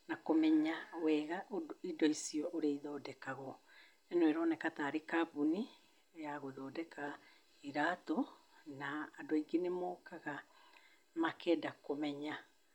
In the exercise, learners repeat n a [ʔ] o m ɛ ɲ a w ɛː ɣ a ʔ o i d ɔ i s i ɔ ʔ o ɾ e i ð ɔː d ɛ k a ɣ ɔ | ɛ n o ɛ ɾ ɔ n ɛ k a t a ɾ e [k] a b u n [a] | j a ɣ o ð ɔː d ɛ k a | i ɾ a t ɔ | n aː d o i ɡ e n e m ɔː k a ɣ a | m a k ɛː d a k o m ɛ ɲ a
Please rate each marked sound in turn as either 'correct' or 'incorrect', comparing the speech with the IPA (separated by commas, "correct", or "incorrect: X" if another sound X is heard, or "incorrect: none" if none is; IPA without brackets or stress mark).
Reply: incorrect: k, correct, incorrect: i